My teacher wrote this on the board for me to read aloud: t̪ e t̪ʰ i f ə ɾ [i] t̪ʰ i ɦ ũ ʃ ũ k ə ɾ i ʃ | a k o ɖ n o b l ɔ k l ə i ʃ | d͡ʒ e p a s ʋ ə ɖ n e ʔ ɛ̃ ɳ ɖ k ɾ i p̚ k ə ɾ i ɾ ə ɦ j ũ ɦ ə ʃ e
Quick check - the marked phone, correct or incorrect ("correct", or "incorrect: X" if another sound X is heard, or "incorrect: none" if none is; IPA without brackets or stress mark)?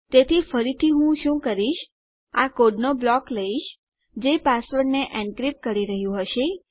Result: correct